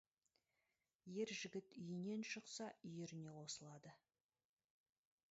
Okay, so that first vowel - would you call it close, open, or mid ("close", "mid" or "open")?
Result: mid